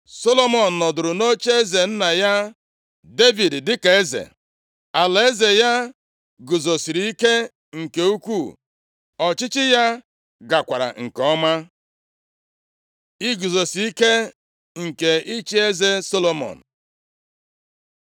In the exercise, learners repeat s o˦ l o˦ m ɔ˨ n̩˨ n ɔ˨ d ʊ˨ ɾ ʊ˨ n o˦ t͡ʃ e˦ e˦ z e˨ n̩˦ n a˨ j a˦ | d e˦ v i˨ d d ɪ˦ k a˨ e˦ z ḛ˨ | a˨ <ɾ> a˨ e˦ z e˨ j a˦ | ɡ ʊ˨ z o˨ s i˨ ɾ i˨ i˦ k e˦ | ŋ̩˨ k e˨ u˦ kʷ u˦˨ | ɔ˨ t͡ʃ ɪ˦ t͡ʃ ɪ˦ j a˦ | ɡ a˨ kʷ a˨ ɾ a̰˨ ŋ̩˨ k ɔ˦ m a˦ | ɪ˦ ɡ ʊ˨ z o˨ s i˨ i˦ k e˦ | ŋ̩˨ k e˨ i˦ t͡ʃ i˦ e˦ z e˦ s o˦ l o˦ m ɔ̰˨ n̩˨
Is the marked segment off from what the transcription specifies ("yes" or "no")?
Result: yes